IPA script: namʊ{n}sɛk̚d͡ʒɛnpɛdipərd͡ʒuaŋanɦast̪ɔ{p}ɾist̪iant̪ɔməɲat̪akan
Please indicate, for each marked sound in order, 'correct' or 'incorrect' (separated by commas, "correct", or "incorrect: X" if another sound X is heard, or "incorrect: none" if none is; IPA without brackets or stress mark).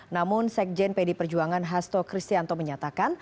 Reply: correct, incorrect: k